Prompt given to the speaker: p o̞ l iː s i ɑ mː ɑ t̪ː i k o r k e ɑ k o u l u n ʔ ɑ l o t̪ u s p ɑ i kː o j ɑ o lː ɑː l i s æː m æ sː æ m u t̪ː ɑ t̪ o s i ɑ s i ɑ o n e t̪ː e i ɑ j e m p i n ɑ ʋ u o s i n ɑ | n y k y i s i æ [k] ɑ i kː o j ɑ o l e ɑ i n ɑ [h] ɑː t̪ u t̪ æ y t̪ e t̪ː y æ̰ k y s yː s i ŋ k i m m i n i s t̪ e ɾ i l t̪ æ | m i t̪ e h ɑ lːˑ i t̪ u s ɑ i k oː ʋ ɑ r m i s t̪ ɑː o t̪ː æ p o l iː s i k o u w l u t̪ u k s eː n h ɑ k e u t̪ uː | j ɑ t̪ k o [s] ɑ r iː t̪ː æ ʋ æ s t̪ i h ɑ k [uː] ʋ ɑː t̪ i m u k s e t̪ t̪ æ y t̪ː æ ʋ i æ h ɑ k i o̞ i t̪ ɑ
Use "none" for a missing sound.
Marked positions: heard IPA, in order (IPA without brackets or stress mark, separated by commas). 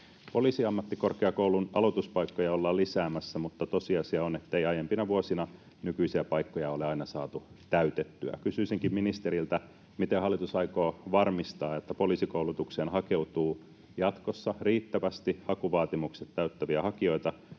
p, s, sː, u